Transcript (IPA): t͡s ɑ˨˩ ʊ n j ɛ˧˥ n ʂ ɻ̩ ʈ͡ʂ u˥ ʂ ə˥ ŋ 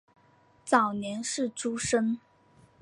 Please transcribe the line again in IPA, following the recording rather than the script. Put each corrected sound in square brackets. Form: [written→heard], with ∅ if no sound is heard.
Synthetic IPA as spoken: t͡s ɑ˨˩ ʊ n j ɛ˧˥ n ʂ ɻ̩ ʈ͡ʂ u˥ ʂ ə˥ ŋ